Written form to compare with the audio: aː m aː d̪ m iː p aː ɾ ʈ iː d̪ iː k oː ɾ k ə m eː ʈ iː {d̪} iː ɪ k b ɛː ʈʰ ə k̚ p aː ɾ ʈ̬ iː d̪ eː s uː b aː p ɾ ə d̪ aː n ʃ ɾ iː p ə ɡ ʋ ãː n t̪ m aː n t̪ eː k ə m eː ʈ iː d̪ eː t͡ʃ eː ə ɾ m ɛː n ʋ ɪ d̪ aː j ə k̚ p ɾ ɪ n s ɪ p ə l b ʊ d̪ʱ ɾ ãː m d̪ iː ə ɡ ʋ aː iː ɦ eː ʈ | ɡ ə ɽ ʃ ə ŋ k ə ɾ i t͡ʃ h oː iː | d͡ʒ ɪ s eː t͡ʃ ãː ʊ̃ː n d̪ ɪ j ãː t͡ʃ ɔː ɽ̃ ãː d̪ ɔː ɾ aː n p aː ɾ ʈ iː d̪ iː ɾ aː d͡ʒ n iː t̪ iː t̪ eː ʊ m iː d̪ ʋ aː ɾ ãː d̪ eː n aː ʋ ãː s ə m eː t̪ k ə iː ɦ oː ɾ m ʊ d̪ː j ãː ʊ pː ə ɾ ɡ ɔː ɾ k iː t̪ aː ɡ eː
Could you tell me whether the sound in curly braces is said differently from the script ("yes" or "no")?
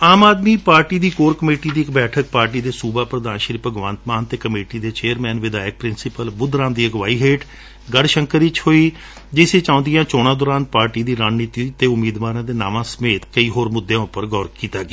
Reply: no